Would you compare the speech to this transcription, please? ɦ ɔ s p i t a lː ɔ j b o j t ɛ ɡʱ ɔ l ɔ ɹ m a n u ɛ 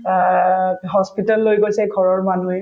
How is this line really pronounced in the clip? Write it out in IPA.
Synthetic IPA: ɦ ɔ s p i t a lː o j ɡ o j s ɛ ɡʱ ɔ ɹ ɔ ɹ m a n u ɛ